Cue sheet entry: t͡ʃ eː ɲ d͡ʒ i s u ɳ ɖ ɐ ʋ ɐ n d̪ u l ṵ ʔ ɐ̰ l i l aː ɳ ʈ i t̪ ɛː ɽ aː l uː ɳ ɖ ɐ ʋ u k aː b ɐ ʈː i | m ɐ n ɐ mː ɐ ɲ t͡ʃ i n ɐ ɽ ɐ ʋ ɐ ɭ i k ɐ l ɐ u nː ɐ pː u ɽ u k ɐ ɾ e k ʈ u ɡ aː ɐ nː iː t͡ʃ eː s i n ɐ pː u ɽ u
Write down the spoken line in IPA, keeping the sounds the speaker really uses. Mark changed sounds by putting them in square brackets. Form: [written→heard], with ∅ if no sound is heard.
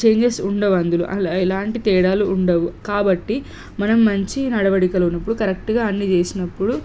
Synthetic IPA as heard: t͡ʃ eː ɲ d͡ʒ [i→e] s u ɳ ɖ ɐ ʋ ɐ n d̪ u l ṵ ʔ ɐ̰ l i l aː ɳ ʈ i t̪ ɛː ɽ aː l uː ɳ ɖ ɐ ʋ u k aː b ɐ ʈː i | m ɐ n ɐ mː ɐ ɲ t͡ʃ i n ɐ ɽ ɐ ʋ ɐ [ɭ→ɽ] i k ɐ l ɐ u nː ɐ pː u ɽ u k ɐ ɾ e k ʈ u ɡ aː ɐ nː [iː→i] t͡ʃ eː s i n ɐ pː u ɽ u